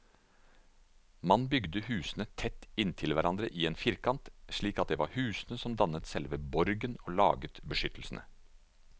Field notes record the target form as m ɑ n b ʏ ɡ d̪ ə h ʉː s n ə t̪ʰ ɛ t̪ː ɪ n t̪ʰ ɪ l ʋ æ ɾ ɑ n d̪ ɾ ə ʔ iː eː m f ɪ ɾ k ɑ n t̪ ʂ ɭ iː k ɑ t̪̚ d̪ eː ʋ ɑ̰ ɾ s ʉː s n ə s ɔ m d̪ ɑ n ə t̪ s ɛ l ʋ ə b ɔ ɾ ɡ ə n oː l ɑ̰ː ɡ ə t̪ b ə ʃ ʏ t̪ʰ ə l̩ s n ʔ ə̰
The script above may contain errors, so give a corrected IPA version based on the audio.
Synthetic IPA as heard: m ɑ n b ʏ ɡ d̪ ə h ʉː s n ə t̪ʰ ɛ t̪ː ɪ n t̪ʰ ɪ l ʋ æ ɾ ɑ n d̪ ɾ ə ʔ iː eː n f ɪ ɾ k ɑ n t̪ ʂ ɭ iː k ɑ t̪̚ d̪ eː ʋ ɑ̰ ɾ h ʉː s n ə s ɔ m d̪ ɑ n ə t̪ s ɛ l ʋ ə b ɔ ɾ ɡ ə n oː l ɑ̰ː ɡ ə t̪ b ə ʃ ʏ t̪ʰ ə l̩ s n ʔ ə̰